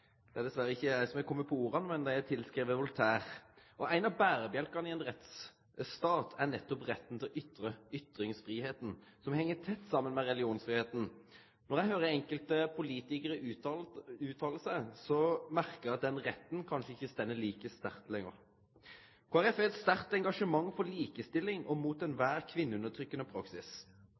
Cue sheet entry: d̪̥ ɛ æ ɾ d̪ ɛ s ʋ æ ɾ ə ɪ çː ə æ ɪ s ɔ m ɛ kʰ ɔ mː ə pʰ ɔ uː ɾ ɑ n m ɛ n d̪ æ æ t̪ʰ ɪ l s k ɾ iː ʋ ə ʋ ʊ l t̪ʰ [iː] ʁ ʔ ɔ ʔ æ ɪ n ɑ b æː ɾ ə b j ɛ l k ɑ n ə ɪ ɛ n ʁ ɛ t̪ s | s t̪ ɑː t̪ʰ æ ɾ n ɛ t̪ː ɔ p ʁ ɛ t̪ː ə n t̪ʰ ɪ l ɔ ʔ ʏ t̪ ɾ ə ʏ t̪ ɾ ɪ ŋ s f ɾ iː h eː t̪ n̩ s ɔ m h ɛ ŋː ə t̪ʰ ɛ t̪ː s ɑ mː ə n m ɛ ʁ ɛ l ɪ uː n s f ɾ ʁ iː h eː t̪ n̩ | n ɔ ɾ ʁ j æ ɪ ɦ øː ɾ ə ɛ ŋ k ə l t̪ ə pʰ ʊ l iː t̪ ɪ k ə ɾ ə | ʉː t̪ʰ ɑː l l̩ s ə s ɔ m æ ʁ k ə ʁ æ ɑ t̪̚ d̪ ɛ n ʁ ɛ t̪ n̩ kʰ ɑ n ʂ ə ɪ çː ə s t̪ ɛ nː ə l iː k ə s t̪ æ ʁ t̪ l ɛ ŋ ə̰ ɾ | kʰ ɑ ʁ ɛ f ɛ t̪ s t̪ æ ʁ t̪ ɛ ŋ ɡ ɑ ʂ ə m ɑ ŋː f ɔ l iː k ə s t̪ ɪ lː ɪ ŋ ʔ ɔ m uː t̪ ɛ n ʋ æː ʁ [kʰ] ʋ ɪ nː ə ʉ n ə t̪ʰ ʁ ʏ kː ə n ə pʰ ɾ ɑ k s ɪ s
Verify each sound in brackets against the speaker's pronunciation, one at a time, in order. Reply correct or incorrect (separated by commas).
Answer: incorrect, correct